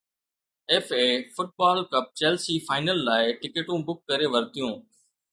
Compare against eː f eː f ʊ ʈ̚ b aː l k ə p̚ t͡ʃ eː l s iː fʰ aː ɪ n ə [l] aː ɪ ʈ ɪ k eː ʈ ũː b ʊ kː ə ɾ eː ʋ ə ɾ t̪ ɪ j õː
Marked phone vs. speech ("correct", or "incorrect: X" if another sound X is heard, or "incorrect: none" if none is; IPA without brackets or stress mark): incorrect: lː